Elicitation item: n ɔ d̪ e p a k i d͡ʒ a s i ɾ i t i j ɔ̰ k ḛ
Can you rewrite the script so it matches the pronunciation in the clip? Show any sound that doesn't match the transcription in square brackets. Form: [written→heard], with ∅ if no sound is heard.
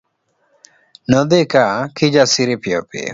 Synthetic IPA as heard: n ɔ d̪ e [p→k] a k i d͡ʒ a s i ɾ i [t→p] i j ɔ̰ [k→p] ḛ